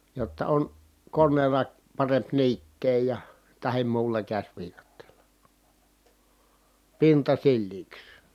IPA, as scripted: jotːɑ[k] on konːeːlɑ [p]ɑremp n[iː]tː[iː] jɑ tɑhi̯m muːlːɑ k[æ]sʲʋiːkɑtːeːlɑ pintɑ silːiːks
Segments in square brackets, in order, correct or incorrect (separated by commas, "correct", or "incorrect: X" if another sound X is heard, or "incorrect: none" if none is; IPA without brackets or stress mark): incorrect: none, correct, correct, incorrect: eː, correct